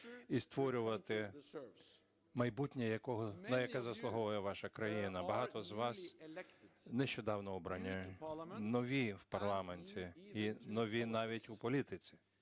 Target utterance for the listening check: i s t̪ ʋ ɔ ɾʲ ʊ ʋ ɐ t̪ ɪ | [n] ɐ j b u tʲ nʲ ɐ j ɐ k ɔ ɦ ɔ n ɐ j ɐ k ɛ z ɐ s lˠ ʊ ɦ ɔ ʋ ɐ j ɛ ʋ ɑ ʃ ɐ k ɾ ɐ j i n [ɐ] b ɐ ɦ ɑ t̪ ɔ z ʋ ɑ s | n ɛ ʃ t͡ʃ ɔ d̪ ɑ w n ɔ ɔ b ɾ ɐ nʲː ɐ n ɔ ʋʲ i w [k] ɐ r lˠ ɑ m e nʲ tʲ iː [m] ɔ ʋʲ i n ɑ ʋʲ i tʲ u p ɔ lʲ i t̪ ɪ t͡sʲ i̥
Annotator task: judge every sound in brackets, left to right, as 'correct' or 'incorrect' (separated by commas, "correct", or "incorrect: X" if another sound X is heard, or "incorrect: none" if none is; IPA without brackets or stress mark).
incorrect: m, correct, incorrect: p, incorrect: n